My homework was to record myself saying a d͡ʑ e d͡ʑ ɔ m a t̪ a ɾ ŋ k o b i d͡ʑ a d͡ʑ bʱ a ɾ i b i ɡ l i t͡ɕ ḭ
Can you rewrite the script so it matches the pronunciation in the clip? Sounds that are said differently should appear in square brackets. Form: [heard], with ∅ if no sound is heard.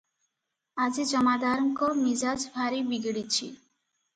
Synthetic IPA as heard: a d͡ʑ [i] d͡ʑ ɔ m a [d̪] a ɾ ŋ k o [m] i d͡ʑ a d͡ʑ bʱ a ɾ i b i ɡ [ɽ] i [t͡ɕʰ] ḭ